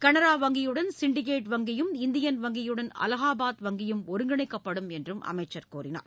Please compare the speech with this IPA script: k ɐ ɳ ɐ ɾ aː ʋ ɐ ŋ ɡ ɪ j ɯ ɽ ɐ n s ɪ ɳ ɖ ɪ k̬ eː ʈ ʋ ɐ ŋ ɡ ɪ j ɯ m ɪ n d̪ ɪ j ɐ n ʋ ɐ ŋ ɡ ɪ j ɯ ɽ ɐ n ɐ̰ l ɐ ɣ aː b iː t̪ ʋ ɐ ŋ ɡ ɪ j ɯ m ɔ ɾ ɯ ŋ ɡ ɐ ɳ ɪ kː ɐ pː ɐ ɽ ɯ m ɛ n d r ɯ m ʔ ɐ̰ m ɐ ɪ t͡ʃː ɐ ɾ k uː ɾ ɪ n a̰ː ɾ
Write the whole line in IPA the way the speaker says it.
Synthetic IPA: k ɐ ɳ ɐ ɾ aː ʋ ɐ ŋ ɡ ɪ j ɯ ɽ ɐ n s ɪ ɳ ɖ ɪ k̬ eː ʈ ʋ ɐ ŋ ɡ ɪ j ɯ m ɪ n d̪ ɪ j ɐ n ʋ ɐ ŋ ɡ ɪ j ɯ ɽ ɐ n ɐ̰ l ɐ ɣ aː b aː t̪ ʋ ɐ ŋ ɡ ɪ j ɯ m ɔ ɾ ɯ ŋ ɡ ɐ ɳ ɪ kː ɐ pː ɐ ɽ ɯ m ɛ n d r ɯ m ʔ ɐ̰ m ɐ ɪ t͡ʃː ɐ ɾ k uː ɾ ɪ n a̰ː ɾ

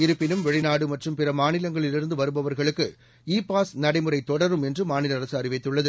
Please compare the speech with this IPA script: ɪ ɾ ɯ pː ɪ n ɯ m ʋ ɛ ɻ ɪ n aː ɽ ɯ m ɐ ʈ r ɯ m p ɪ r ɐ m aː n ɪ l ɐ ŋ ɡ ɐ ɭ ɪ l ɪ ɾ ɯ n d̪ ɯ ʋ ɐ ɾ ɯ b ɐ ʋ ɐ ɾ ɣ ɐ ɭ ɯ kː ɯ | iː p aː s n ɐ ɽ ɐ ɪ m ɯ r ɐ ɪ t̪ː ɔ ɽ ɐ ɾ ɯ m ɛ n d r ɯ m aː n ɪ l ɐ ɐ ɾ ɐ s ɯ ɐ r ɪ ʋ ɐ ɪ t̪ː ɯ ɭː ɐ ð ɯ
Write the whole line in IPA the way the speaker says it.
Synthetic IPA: ɪ ɾ ɯ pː ɪ n ɯ m ʋ ɛ ɻ ɪ n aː ɽ ɯ m ɐ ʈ r ɯ m p ɪ r ɐ m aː n ɪ l ɐ ŋ ɡ ɐ ɭ ɪ l ɪ ɾ ɯ n d̪ ɯ ʋ ɐ ɾ ɯ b ɐ ʋ ɐ ɾ ɣ ɐ ɭ ɯ kː ɯ | iː p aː s n ɐ ɽ ɐ ɪ m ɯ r ɐ ɪ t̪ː ɔ ɽ ɐ ɾ ɯ m ɛ n d r ɯ m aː n ɪ l ɐ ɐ ɾ ɐ s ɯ ɐ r ɪ ʋ ɐ ɪ t̪ː ɯ ɭː ɐ ð ɯ

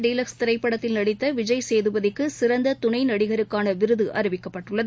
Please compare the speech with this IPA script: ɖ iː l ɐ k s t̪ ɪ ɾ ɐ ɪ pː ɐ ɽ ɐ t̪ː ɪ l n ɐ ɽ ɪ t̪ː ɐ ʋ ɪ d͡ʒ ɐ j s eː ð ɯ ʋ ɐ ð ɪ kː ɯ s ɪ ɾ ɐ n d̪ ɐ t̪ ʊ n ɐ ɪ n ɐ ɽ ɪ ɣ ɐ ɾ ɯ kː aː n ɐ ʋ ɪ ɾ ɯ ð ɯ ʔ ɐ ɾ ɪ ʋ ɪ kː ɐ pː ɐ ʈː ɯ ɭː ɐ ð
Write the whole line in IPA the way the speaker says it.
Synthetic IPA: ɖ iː l ɐ k s t̪ ɪ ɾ ɐ ɪ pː ɐ ɽ ɐ t̪ː ɪ l n ɐ ɽ ɪ t̪ː ɐ ʋ ɪ d͡ʒ ɐ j s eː ð ɯ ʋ ɐ ð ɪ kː ɯ s ɪ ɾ ɐ n d̪ ɐ t̪ ʊ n ɐ ɪ n ɐ ɽ ɪ ɣ ɐ ɾ ɯ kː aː n ɐ ʋ ɪ ɾ ɯ ð ɯ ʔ ɐ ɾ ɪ ʋ ɪ kː ɐ pː ɐ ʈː ɯ ɭː ɐ ð

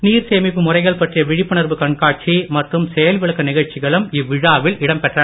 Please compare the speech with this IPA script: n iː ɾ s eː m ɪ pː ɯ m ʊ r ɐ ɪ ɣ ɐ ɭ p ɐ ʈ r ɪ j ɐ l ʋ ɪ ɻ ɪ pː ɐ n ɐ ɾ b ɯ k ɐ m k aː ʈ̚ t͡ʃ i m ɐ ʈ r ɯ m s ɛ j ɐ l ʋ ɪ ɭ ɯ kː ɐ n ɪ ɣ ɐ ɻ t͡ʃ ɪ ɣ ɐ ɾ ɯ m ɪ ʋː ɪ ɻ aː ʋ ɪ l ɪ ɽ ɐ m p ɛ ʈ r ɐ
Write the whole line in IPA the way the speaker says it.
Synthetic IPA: n iː ɾ s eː m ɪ pː ɯ m ʊ r ɐ ɪ ɣ ɐ ɭ p ɐ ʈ r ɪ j ɐ ʋ ɪ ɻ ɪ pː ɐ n ɐ ɾ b ɯ k ɐ ɳ k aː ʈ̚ t͡ʃ i m ɐ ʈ r ɯ m s ɛ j ɐ l ʋ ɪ ɭ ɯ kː ɐ n ɪ ɣ ɐ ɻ t͡ʃ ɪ ɣ ɐ ɭ ɯ m ɪ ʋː ɪ ɻ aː ʋ ɪ l ɪ ɽ ɐ m p ɛ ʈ r ɐ

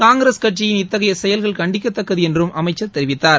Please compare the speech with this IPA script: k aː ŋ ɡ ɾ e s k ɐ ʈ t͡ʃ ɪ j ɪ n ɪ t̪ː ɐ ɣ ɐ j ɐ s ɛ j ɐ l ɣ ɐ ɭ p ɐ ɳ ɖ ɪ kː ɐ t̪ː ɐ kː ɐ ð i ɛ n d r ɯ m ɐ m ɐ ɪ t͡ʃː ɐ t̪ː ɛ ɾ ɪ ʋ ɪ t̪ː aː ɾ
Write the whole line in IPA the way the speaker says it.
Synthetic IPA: k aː ŋ ɡ ɾ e s k ɐ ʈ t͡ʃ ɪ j ɪ n ɪ t̪ː ɐ ɣ ɐ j ɐ s ɛ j ɐ l ɣ ɐ ɭ k ɐ ɳ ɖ ɪ kː ɐ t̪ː ɐ kː ɐ ð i ɛ n d r ɯ m ɐ m ɐ ɪ t͡ʃː ɐ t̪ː ɛ ɾ ɪ ʋ ɪ t̪ː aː ɾ

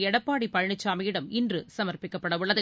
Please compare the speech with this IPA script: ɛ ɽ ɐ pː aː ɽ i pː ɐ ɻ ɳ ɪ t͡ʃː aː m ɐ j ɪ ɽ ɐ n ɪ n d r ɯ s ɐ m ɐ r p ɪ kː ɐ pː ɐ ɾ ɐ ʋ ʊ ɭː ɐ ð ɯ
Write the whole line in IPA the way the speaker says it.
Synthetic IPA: ɛ ɽ ɐ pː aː ɽ i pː ɐ ɻ ɳ ɪ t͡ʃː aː m ɐ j ɪ ɽ ɐ m ɪ n d r ɯ s ɐ m ɐ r p ɪ kː ɐ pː ɐ ɽ ɐ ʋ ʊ ɭː ɐ ð ɯ

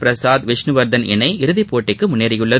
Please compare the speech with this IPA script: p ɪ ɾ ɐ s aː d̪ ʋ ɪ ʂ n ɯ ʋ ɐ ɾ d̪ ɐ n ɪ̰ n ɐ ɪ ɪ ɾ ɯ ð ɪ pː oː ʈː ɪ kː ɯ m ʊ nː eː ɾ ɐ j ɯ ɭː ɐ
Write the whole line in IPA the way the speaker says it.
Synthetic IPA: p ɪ ɾ ɐ s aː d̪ ʋ ɪ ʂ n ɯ ʋ ɐ ɾ d̪ ɐ n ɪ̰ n ɐ ɪ ɪ ɾ ɯ ð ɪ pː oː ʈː ɪ kː ɯ m ʊ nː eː ɾ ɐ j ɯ ɭː ɐ

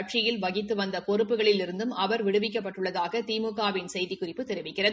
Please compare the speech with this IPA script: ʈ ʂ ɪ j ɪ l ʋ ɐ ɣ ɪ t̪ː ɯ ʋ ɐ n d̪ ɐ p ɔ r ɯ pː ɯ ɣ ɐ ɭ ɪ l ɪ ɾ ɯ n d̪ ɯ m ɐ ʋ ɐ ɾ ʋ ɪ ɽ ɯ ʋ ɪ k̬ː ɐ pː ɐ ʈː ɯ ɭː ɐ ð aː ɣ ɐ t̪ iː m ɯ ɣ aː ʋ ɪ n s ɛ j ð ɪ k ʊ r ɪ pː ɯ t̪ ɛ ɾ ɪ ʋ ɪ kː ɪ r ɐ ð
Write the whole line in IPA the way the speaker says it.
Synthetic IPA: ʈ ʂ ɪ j ɪ l ʋ ɐ ɣ ɪ t̪ː ɯ ʋ ɐ n d̪ ɐ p ɔ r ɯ pː ɯ ɣ ɐ ɭ ɪ l ɪ ɾ ɯ n d̪ ɯ m ɐ ʋ ɐ ɾ ʋ ɪ ɽ ɯ ʋ ɪ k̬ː ɐ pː ɐ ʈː ɯ ɭː ɐ ð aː ɣ ɐ t̪ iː m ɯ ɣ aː ʋ ɪ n s ɛ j ð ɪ k ʊ r ɪ pː ɯ t̪ ɛ ɾ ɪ ʋ ɪ kː ɪ r ɐ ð

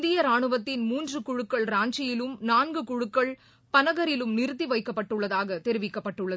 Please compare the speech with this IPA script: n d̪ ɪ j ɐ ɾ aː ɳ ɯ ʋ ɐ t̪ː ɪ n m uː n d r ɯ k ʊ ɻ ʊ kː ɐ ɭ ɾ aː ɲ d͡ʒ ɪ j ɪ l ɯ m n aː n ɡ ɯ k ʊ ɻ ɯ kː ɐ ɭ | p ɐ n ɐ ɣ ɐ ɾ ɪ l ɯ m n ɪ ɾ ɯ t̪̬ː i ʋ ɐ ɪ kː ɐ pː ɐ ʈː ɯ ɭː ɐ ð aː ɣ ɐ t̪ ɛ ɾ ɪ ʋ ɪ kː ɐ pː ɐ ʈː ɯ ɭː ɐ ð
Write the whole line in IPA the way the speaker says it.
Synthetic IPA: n d̪ ɪ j ɐ ɾ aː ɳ ɯ ʋ ɐ t̪ː ɪ n m uː n d r ɯ k ʊ ɻ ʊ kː ɐ ɭ ɾ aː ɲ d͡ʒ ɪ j ɪ l ɯ m n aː n ɡ ɯ k ʊ ɻ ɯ kː ɐ ɭ | p ɐ n ɐ ɣ ɐ ɾ ɪ l ɯ m n ɪ ɾ ɯ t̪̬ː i ʋ ɐ ɪ kː ɐ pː ɐ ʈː ɯ ɭː ɐ ð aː ɣ ɐ t̪ ɛ ɾ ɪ ʋ ɪ kː ɐ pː ɐ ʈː ɯ ɭː ɐ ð

